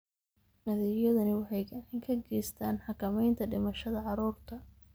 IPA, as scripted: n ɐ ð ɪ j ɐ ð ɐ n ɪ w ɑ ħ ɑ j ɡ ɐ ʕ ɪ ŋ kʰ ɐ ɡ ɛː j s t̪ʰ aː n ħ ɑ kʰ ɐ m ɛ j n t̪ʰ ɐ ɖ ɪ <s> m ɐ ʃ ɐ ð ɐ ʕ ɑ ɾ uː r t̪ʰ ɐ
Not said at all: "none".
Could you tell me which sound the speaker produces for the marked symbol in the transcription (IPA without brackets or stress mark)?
none